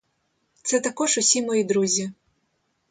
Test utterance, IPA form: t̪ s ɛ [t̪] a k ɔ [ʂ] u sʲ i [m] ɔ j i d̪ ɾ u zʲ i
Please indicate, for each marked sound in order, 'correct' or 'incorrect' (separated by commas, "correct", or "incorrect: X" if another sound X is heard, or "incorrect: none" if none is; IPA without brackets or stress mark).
correct, correct, correct